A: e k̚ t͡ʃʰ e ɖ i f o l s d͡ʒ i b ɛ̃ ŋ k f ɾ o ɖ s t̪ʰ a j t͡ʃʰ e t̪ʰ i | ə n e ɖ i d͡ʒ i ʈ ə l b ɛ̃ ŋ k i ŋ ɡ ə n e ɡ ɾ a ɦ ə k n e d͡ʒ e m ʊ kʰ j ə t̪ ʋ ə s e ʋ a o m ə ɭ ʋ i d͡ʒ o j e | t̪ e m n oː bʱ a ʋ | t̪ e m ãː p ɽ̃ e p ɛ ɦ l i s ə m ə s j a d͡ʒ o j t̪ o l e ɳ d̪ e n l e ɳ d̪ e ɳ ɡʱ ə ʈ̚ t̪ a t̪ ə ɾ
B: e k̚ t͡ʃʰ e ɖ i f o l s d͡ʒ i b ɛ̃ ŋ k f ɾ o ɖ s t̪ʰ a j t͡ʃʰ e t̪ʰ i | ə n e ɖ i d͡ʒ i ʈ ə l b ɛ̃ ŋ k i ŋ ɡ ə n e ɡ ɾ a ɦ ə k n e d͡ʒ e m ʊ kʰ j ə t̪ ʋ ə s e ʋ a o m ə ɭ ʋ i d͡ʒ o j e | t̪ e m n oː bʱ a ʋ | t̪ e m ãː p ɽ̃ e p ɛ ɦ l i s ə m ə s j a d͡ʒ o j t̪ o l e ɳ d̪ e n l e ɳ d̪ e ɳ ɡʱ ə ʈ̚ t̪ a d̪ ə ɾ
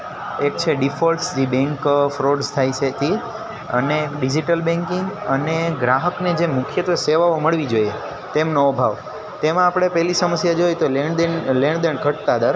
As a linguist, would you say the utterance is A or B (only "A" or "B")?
B